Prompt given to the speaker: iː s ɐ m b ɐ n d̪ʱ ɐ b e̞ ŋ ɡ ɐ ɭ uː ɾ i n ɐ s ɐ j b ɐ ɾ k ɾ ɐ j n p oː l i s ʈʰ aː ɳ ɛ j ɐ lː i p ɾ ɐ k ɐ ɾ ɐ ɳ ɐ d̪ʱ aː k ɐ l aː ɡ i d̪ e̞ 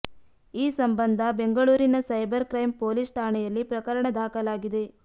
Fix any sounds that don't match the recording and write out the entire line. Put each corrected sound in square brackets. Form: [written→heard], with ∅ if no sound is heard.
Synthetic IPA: iː s ɐ m b ɐ n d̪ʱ ɐ b e̞ ŋ ɡ ɐ ɭ uː ɾ i n ɐ s ɐ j b ɐ ɾ k ɾ ɐ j [n→m] p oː l i s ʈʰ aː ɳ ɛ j ɐ lː i p ɾ ɐ k ɐ ɾ ɐ ɳ ɐ d̪ʱ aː k ɐ l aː ɡ i d̪ e̞